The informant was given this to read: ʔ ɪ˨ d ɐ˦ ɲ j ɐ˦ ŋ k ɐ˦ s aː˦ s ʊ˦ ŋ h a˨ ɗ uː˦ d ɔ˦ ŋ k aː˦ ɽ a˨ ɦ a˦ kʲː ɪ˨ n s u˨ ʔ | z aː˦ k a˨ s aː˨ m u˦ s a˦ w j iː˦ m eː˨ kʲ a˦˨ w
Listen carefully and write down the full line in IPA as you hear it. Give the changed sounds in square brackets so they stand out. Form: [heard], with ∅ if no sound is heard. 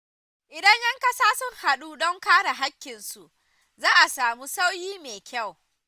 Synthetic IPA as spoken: ʔ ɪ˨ d ɐ˦ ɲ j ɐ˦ ŋ k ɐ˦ s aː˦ s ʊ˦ ŋ h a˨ ɗ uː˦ d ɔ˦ ŋ k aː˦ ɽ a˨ ɦ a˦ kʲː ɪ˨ n s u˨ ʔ | z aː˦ [ʔ] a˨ s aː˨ m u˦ s a˦ w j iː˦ m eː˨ kʲ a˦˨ w